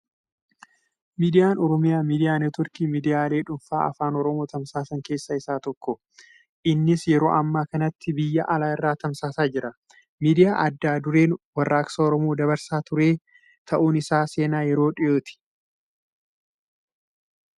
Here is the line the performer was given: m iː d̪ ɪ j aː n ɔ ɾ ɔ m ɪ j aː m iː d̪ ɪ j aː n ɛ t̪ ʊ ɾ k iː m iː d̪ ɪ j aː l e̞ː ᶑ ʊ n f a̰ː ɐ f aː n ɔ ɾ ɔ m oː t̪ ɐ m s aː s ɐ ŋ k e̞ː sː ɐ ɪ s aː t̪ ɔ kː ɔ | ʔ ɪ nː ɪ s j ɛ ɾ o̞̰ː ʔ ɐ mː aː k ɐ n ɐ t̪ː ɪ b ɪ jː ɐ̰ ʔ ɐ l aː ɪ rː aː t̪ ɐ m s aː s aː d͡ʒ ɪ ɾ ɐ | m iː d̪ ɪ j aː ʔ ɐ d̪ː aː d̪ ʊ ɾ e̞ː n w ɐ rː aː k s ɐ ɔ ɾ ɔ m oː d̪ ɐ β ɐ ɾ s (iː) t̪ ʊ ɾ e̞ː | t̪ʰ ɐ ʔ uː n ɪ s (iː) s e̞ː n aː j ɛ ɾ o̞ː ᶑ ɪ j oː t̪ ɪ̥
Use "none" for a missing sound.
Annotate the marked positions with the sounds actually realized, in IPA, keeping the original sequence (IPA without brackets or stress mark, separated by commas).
aː, aː